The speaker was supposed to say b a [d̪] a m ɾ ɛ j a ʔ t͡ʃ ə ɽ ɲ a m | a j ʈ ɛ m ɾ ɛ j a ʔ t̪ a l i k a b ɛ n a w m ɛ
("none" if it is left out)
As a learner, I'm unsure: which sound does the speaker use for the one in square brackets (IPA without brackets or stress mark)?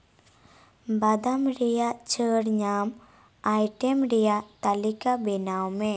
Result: d̪